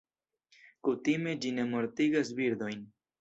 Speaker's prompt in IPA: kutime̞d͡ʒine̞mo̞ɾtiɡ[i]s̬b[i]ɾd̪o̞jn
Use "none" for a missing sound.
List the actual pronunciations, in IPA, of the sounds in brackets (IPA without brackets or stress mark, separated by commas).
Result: a, i